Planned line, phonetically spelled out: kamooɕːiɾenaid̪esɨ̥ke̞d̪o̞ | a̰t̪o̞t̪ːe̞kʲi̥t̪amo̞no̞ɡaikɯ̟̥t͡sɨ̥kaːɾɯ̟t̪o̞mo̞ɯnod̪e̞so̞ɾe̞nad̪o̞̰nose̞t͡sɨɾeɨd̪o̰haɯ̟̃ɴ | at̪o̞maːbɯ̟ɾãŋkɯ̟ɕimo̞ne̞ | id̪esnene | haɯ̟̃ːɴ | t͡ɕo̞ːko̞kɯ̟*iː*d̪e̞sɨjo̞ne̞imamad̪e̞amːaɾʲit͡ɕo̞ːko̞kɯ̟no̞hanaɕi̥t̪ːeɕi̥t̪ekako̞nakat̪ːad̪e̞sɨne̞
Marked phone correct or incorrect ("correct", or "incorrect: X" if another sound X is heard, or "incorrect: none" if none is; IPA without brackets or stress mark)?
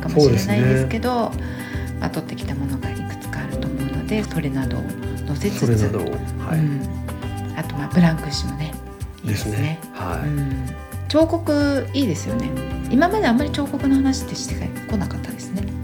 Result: correct